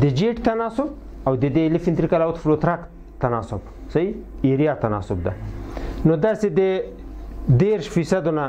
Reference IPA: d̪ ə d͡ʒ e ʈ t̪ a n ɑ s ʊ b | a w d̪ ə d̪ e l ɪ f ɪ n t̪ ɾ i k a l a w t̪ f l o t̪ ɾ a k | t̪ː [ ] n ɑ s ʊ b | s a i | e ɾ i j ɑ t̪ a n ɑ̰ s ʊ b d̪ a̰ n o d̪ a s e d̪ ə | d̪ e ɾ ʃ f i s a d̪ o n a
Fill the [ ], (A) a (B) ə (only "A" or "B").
A